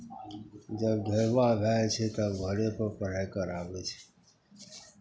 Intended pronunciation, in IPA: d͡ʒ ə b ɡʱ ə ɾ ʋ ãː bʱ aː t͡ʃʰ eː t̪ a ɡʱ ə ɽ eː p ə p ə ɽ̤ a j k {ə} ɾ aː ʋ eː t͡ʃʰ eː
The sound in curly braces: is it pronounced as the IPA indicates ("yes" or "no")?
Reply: yes